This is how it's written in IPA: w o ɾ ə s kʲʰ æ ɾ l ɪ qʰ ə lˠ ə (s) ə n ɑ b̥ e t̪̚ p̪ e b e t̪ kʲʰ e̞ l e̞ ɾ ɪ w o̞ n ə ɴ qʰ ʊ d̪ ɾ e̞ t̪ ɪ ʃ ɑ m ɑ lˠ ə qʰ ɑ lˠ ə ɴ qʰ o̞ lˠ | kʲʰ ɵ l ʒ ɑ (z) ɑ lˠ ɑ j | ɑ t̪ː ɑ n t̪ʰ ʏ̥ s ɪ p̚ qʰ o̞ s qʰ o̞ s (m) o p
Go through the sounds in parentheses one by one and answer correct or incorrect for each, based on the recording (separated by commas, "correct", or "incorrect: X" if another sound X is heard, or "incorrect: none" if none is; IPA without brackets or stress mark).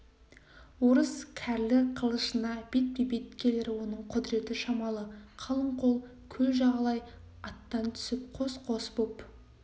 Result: incorrect: ʃ, incorrect: ʁ, incorrect: b